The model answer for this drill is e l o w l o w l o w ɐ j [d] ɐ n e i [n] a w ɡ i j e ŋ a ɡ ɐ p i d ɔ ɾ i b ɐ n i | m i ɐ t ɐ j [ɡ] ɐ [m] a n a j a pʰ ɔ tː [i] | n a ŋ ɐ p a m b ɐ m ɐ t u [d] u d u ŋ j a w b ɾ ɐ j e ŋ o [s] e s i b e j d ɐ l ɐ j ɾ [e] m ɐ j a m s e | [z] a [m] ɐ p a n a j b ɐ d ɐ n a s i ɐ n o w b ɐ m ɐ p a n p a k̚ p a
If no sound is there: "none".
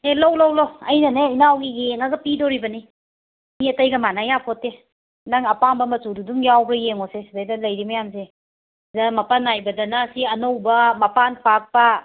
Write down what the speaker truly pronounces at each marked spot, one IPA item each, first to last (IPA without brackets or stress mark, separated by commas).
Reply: n, n, ɡ, m, e, d, s, i, z, m